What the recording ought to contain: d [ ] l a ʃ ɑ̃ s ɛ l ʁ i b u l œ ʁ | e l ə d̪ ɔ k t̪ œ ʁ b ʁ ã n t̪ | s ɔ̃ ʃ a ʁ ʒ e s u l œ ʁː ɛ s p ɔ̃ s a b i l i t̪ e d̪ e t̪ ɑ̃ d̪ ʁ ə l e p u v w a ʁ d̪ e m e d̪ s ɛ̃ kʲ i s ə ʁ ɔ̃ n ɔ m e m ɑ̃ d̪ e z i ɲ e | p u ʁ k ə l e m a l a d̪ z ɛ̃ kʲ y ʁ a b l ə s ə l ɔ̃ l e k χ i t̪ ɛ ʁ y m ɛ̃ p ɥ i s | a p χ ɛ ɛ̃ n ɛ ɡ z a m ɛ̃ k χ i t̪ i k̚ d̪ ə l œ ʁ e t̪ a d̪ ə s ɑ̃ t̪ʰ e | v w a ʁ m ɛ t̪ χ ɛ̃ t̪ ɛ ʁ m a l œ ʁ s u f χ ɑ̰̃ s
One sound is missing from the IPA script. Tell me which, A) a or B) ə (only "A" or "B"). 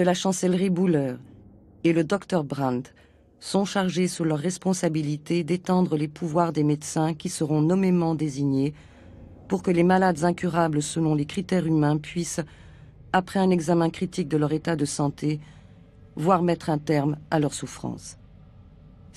B